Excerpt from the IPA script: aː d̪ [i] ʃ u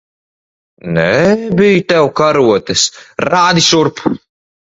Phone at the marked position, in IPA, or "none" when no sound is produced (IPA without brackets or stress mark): i